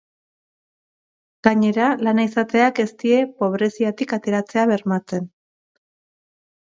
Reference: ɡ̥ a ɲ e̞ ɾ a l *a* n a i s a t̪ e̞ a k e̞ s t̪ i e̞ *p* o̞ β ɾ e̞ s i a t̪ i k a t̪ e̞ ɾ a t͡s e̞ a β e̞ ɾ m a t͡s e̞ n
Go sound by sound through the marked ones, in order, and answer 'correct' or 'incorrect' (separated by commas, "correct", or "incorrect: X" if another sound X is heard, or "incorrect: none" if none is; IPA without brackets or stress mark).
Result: correct, correct